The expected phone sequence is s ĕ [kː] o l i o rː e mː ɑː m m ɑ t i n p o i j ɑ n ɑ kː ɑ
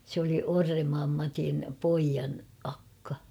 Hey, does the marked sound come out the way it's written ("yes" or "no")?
no